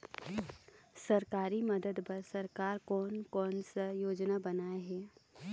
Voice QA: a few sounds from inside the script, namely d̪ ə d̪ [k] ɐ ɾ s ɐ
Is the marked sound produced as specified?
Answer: no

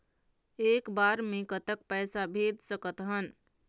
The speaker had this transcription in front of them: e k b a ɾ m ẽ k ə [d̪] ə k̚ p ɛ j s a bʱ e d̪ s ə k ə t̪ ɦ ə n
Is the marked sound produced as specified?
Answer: no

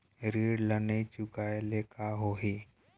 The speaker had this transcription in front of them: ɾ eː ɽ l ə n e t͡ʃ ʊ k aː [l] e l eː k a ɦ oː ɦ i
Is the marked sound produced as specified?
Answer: no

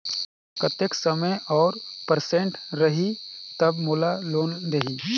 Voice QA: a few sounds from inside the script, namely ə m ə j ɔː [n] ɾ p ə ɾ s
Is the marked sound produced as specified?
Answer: no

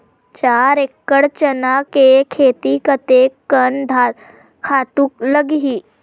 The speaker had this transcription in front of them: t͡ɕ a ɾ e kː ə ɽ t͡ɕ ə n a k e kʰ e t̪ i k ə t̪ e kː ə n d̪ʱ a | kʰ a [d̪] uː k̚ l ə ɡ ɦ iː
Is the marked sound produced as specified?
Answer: no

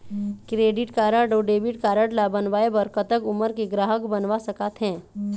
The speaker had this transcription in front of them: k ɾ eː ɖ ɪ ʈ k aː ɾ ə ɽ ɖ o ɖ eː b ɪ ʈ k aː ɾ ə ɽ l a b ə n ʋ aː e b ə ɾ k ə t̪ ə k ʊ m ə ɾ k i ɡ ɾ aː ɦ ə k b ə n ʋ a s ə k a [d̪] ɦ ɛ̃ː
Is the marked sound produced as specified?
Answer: no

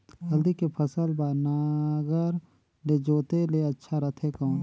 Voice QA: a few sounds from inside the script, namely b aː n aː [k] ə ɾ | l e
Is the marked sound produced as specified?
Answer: no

